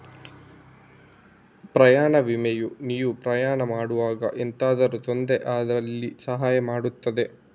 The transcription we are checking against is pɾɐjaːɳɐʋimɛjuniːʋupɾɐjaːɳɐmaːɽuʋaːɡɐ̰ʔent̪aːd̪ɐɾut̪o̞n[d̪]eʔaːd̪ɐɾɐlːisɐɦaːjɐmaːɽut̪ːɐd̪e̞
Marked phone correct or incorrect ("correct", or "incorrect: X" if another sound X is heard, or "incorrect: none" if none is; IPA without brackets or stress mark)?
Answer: correct